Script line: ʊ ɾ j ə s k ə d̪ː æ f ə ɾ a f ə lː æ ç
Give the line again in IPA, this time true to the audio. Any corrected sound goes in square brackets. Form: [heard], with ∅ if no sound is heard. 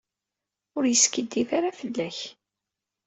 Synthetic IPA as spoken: ʊ ɾ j ə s k ə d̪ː [i] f [a] ɾ a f ə lː æ ç